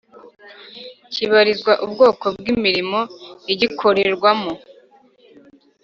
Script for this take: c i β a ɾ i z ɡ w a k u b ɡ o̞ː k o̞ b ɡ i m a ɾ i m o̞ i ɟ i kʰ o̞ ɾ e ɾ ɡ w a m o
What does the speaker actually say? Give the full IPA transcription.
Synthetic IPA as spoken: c i β a ɾ i z ɡ w a ʔ u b ɡ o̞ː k o̞ b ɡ i m i ɾ i m o̞ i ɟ i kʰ o̞ ɾ e ɾ ɡ w a m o